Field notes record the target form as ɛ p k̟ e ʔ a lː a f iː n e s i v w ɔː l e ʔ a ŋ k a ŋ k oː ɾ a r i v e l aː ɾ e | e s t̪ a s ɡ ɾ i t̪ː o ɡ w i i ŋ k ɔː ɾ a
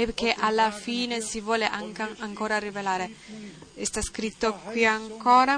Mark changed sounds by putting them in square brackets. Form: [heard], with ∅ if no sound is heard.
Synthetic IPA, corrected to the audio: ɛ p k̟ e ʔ a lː a f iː n e s i v w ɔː l e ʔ a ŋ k a ŋ k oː ɾ a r i v e l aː ɾ e | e s t̪ a s [k] ɾ i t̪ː o [k] w i [a] ŋ k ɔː ɾ a